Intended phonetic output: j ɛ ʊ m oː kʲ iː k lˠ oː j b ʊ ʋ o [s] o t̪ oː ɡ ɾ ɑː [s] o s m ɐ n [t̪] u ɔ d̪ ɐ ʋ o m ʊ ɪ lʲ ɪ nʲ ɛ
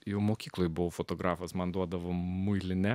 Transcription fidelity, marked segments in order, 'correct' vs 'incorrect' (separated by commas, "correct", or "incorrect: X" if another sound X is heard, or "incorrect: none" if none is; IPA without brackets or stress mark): incorrect: f, incorrect: f, incorrect: d̪